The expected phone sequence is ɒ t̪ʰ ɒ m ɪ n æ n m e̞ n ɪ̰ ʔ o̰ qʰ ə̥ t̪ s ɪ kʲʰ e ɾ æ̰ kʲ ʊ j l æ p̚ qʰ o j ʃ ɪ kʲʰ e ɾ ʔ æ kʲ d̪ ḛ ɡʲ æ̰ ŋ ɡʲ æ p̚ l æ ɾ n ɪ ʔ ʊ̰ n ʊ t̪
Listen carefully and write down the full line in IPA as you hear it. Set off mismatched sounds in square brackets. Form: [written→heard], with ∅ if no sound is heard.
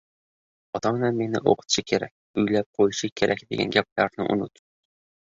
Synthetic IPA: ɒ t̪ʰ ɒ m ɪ n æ n m e̞ n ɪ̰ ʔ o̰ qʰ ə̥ t̪ [s→ʃ] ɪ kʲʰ e ɾ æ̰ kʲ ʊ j l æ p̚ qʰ o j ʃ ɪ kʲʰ e ɾ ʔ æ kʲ d̪ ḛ ɡʲ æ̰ [ŋ→n] ɡʲ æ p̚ l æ ɾ n ɪ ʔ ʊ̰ n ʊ t̪